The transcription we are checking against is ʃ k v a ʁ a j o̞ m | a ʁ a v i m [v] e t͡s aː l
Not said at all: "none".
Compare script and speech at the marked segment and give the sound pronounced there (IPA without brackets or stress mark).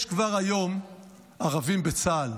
b